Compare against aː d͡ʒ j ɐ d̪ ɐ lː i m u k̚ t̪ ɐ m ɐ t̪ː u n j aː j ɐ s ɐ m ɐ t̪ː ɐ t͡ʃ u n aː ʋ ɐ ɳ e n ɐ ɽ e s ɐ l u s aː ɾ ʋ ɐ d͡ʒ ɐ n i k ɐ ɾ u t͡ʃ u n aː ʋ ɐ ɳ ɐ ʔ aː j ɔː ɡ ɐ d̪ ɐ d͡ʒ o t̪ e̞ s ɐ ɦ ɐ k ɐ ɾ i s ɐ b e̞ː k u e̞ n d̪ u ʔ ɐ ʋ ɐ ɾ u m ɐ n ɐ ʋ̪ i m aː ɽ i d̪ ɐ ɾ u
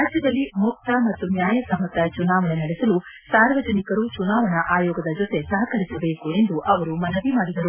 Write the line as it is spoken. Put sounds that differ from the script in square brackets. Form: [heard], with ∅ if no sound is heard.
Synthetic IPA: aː d͡ʒ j ɐ d̪ ɐ lː i m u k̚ t̪ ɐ m ɐ t̪ː u n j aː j ɐ s ɐ m ɐ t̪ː ɐ t͡ʃ u n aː ʋ ɐ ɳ e n ɐ ɽ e s ɐ l u s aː ɾ ʋ ɐ d͡ʒ ɐ n i k ɐ ɾ u t͡ʃ u n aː ʋ ɐ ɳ ɐ ʔ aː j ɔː ɡ ɐ d̪ ɐ d͡ʒ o t̪ e̞ s ɐ ɦ ɐ k ɐ ɾ i s ɐ b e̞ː k u e̞ n d̪ u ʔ ɐ ʋ ɐ ɾ u m ɐ n ɐ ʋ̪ i m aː ɽ i d̪ ɐ ɾ u